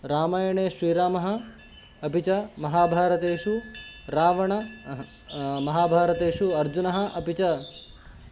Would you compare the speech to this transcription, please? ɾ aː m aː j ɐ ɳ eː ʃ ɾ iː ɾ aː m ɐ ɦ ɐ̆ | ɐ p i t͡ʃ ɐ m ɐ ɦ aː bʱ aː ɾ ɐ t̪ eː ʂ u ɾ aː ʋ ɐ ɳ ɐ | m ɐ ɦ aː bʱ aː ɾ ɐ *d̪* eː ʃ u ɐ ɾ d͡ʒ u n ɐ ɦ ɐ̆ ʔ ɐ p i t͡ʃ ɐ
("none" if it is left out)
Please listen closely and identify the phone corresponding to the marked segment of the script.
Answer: t̪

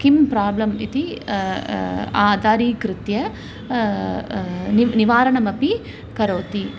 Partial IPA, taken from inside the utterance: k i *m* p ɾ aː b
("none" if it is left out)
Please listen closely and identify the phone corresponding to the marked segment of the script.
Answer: m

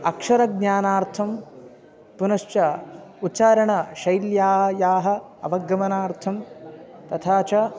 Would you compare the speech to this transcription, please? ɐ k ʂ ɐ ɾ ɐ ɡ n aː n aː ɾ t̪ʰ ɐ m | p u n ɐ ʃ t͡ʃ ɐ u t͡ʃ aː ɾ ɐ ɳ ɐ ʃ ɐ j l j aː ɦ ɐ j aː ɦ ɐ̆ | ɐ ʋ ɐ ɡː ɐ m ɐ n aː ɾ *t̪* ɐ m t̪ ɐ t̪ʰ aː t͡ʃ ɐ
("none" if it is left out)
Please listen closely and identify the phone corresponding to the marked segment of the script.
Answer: t̪ʰ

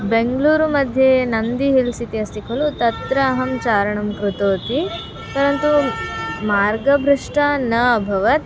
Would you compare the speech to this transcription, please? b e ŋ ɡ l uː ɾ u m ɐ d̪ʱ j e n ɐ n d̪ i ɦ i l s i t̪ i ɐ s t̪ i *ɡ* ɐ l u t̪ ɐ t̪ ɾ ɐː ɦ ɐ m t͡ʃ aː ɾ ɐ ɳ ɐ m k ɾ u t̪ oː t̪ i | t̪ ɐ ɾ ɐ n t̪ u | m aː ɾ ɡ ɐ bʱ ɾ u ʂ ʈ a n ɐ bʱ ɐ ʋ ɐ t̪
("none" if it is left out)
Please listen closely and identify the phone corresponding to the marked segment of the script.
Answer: k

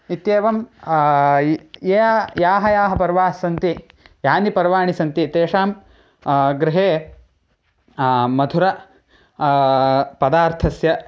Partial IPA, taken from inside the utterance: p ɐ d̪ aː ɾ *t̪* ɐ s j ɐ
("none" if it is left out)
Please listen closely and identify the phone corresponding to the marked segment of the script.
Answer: t̪ʰ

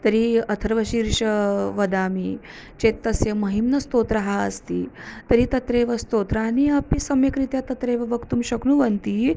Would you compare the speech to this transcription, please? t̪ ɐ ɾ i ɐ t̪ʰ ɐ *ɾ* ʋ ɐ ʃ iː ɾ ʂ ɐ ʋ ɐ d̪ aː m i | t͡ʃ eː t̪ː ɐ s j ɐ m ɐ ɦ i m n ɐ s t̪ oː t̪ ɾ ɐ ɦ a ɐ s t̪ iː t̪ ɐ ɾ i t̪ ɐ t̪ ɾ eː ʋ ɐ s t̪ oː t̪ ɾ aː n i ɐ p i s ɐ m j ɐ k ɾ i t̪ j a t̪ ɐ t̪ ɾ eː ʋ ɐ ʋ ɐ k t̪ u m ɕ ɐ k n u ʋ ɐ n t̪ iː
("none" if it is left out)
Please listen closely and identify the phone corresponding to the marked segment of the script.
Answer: ɾ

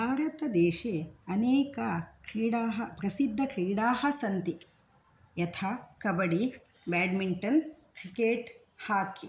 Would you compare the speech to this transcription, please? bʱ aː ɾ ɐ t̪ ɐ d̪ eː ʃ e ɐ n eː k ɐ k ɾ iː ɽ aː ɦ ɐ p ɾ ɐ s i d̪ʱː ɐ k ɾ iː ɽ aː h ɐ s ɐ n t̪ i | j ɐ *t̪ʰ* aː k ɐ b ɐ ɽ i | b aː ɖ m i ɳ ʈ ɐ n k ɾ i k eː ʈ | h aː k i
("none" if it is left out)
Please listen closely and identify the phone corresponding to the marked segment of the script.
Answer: t̪ʰ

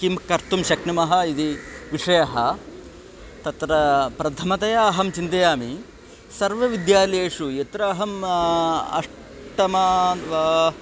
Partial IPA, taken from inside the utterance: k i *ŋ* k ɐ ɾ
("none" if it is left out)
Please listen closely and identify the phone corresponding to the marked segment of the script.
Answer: m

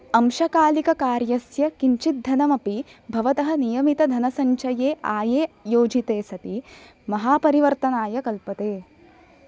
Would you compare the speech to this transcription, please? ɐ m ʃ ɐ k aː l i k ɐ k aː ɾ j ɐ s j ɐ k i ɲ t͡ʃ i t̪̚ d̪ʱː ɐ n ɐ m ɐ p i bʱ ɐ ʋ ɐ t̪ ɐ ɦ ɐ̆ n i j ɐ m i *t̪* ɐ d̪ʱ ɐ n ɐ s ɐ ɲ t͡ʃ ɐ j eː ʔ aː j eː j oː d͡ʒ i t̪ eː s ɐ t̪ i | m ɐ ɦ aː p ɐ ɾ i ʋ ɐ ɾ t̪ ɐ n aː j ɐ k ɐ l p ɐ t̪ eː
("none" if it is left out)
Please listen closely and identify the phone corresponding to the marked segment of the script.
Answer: t̪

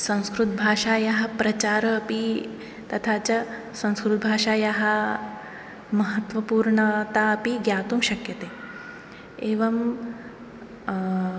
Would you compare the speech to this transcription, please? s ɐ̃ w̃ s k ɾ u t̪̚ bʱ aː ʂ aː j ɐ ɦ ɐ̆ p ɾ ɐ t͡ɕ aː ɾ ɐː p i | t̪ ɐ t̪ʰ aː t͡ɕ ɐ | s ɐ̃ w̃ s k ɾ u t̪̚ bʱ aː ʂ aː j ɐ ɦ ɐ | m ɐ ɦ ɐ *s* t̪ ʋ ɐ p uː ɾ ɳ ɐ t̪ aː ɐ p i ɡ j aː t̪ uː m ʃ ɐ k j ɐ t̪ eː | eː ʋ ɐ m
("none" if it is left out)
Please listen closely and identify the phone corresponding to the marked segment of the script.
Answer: none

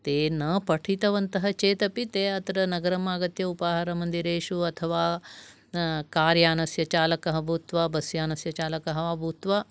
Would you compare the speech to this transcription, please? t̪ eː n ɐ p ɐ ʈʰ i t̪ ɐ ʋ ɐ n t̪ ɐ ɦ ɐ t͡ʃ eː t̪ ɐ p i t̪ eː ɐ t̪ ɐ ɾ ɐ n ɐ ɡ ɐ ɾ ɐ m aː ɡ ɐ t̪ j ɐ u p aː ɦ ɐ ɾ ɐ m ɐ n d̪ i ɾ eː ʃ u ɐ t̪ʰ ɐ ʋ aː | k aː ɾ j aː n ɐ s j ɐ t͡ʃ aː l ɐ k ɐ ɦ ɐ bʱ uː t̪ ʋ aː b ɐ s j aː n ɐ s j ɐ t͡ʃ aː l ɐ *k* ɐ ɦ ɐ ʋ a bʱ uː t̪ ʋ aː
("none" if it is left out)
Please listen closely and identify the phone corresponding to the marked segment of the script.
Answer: k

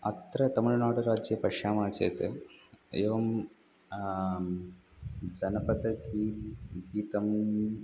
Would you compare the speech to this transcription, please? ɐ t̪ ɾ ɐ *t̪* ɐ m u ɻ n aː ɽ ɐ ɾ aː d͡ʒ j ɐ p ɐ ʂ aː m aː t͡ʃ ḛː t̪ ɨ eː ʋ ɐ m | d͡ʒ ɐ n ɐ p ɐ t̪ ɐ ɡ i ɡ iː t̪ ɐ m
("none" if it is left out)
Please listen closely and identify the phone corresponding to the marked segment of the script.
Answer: t̪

